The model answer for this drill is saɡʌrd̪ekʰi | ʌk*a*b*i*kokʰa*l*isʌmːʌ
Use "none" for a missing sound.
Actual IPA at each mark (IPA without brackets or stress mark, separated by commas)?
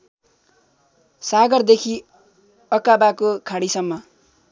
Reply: a, a, ɽ